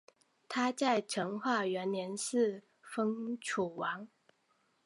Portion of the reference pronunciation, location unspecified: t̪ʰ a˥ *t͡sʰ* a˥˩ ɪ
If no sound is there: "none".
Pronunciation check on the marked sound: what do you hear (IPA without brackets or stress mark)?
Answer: t͡s